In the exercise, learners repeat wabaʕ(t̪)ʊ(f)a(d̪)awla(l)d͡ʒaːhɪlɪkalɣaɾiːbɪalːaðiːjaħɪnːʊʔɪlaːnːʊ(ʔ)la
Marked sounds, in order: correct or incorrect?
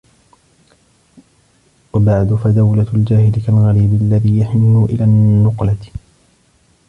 incorrect: d̪, correct, correct, correct, incorrect: q

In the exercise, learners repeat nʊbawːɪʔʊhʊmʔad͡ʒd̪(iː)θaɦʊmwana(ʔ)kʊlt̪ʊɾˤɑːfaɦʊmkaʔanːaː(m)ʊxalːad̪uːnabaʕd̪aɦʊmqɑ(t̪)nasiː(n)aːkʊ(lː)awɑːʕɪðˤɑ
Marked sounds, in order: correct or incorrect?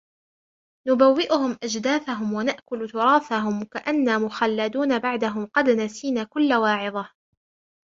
incorrect: aː, correct, correct, incorrect: d̪, correct, correct

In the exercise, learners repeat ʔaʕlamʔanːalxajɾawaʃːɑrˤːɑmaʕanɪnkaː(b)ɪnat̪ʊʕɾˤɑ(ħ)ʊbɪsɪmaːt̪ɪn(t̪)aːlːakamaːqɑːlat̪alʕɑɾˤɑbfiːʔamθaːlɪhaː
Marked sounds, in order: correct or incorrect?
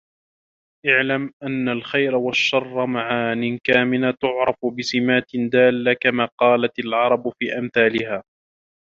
incorrect: m, incorrect: f, incorrect: d̪

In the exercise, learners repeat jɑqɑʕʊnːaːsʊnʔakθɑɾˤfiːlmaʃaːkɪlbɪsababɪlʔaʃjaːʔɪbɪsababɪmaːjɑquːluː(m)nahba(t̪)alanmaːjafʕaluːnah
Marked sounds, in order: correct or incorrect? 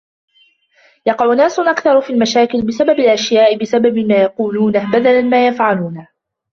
incorrect: none, incorrect: d̪

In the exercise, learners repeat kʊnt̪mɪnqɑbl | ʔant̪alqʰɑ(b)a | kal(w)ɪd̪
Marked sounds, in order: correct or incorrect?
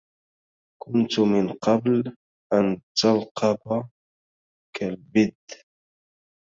correct, incorrect: b

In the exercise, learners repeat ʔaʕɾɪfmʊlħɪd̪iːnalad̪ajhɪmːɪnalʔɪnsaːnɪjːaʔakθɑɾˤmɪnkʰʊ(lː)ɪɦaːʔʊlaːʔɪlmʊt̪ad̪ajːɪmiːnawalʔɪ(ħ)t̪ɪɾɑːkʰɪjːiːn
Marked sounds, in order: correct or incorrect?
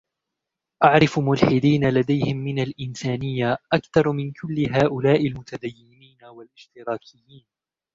correct, incorrect: ʃ

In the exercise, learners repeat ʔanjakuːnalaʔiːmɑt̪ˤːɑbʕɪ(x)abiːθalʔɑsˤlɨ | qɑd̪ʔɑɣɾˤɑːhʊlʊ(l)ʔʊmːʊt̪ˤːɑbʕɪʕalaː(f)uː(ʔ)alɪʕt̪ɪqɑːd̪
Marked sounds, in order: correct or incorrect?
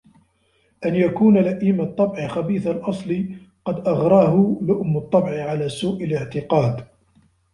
correct, incorrect: none, incorrect: s, correct

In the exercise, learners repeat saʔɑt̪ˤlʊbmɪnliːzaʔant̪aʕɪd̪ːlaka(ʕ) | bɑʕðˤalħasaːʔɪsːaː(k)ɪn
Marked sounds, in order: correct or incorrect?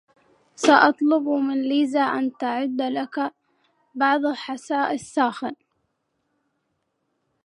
incorrect: none, incorrect: x

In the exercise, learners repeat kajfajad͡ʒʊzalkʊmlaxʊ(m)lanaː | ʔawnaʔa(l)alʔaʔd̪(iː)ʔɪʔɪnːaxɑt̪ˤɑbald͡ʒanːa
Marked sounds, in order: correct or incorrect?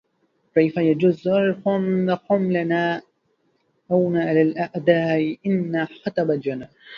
correct, correct, incorrect: aː

